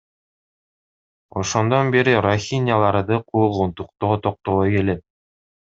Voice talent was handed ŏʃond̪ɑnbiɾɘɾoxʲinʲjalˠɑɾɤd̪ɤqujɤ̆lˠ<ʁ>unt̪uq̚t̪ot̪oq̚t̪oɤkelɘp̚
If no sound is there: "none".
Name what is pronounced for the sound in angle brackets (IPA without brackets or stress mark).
ʁ